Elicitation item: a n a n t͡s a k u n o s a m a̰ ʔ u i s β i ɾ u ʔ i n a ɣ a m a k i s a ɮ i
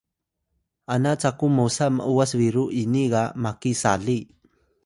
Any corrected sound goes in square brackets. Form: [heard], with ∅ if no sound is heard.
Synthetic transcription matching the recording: a n a [∅] t͡s a k u [m] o s a m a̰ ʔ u [a] s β i ɾ u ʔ i n [i] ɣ a m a k i s a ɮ i